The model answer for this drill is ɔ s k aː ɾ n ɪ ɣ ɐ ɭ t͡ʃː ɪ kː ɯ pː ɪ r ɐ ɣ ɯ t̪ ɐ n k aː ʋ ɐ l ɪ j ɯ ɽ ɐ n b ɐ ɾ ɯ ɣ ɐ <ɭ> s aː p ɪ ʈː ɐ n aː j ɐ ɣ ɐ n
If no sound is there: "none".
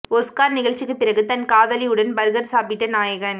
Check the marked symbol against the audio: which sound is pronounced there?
ɾ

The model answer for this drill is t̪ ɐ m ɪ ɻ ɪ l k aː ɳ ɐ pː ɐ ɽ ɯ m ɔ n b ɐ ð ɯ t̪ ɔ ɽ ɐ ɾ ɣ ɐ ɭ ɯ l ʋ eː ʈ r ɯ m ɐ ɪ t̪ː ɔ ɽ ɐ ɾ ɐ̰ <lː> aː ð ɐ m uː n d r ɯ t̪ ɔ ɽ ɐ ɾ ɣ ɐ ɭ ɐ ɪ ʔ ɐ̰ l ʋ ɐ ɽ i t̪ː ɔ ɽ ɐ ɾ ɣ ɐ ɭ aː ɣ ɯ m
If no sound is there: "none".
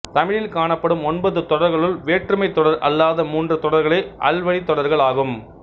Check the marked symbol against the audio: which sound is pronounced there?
lː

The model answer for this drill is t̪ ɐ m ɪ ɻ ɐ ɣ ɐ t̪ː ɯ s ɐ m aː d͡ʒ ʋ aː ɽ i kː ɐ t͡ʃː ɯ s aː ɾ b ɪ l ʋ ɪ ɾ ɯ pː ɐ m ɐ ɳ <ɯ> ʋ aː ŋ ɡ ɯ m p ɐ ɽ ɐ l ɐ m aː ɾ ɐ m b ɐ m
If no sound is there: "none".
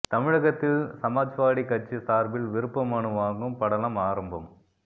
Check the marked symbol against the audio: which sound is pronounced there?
ɯ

